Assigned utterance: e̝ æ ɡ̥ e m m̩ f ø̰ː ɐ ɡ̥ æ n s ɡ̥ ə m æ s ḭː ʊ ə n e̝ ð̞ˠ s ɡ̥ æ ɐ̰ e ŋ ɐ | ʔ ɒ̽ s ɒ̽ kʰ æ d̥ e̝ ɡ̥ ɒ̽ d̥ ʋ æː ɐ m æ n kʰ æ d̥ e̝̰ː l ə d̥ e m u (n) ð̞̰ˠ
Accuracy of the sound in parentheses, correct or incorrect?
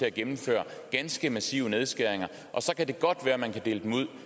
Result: incorrect